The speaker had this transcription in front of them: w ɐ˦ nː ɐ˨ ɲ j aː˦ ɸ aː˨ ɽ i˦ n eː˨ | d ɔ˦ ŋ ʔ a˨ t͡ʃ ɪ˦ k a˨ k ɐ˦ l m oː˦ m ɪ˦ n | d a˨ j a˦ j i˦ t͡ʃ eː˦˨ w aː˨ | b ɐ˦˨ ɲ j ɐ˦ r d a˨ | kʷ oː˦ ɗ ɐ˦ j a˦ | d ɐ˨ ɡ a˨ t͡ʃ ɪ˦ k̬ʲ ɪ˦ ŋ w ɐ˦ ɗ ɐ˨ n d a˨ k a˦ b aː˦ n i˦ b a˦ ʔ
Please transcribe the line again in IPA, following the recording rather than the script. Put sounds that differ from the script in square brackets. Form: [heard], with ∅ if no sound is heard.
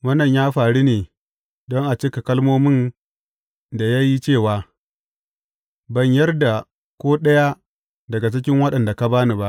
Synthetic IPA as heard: w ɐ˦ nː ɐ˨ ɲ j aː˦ ɸ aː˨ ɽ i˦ n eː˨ | d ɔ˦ ŋ ʔ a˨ t͡ʃ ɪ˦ k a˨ k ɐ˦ l m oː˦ m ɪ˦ n | d a˨ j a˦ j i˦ t͡ʃ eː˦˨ w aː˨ | b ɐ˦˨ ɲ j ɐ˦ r d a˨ | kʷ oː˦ ɗ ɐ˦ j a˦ | d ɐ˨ ɡ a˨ t͡ʃ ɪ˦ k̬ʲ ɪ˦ ŋ w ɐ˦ ɗ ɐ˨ n d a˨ k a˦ b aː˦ n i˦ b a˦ ʔ

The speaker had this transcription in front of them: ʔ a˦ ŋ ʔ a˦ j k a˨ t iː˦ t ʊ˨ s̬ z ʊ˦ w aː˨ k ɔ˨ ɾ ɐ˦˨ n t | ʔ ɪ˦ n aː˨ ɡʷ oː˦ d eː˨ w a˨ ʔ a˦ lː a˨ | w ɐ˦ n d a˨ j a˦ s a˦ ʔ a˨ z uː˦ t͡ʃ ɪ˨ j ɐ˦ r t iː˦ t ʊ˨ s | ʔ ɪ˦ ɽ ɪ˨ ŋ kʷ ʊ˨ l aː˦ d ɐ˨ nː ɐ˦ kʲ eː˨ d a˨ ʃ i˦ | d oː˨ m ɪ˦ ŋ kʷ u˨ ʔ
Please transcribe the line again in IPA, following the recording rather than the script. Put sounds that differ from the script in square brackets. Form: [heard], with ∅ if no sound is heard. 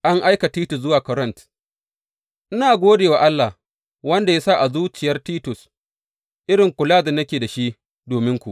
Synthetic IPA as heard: ʔ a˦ ŋ ʔ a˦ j k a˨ t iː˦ t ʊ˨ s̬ z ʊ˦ w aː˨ k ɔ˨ ɾ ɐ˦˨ n t | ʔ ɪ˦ n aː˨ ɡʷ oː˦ d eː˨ w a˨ ʔ a˦ lː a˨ | w ɐ˦ n d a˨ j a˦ s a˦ ʔ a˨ z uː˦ t͡ʃ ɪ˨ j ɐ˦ r t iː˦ t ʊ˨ s | ʔ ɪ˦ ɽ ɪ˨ ŋ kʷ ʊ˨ l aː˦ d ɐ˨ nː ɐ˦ kʲ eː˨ d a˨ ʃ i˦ | d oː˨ m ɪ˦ ŋ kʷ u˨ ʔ

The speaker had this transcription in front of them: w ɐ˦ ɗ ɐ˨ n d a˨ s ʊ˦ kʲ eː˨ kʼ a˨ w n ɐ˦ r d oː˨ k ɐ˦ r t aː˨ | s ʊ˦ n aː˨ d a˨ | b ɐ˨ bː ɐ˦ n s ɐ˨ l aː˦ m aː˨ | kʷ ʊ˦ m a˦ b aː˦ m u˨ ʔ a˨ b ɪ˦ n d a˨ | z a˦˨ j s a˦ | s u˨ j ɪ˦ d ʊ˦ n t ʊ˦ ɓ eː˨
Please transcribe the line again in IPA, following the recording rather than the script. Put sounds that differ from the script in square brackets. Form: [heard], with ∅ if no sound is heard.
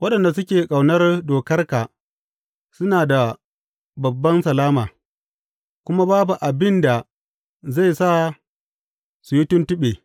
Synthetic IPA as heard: w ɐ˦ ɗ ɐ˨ n d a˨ s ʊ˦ kʲ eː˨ kʼ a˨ w n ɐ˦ r d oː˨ k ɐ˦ r [k] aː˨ | s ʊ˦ n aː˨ d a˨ | b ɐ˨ bː ɐ˦ n s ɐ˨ l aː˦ m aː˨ | kʷ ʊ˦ m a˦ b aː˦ [b] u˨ ʔ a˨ b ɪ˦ n d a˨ | z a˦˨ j s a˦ | s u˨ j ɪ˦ [t] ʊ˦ n t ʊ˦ ɓ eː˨

